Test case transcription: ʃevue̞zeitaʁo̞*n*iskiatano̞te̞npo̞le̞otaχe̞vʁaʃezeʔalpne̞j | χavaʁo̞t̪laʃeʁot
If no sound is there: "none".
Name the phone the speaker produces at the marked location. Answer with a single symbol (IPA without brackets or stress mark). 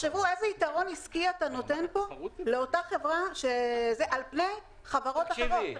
n